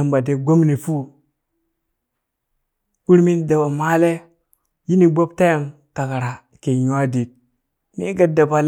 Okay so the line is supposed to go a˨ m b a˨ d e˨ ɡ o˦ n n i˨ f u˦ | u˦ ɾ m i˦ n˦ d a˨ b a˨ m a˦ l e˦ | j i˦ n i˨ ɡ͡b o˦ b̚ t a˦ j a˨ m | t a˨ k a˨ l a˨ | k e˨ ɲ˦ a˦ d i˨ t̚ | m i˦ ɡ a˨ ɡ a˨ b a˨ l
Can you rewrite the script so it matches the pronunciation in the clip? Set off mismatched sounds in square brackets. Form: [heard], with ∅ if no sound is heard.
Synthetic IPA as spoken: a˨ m b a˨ d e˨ ɡ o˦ [m] n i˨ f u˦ | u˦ ɾ m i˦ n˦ d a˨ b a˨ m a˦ l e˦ | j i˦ n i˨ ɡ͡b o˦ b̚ t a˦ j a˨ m | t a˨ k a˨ [ɾ] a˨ | k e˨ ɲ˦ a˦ d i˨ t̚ | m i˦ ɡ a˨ [d] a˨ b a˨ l